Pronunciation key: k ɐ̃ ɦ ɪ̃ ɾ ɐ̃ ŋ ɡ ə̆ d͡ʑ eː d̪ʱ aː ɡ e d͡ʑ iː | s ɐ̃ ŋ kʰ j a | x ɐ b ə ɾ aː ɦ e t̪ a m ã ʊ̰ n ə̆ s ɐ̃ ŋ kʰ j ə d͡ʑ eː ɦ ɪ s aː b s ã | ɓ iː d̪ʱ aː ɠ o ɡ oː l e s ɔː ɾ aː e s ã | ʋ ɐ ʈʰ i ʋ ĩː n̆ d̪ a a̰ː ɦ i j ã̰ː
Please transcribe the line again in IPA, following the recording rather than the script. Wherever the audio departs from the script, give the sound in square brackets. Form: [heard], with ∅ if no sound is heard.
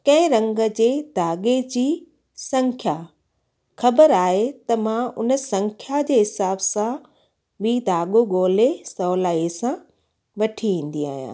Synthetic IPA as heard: k ɐ̃ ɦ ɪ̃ ɾ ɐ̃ ŋ ɡ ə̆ d͡ʑ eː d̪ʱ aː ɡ e d͡ʑ iː | s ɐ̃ ŋ kʰ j a | x ɐ b ə ɾ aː ɦ e t̪ [ɐ] m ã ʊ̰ n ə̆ s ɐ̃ ŋ kʰ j [a] d͡ʑ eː ɦ ɪ s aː b s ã | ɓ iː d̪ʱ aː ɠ o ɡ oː l e s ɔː [l] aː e s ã | ʋ ɐ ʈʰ i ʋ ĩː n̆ d̪ [i] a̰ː ɦ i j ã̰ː